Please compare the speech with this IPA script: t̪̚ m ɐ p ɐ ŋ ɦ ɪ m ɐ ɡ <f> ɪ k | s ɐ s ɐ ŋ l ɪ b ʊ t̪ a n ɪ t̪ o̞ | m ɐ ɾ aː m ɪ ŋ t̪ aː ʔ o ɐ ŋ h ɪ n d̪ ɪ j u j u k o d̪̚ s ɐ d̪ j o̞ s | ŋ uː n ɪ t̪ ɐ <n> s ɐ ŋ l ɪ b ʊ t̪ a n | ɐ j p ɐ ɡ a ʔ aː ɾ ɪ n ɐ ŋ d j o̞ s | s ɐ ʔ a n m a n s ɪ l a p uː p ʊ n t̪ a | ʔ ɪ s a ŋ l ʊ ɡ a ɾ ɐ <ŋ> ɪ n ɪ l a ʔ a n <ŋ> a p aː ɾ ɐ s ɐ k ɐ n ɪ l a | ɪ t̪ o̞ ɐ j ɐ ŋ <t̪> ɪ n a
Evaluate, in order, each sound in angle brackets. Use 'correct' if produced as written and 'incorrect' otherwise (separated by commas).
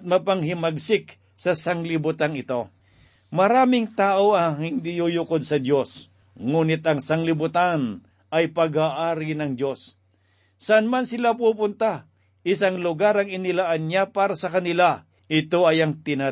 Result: incorrect, incorrect, correct, incorrect, correct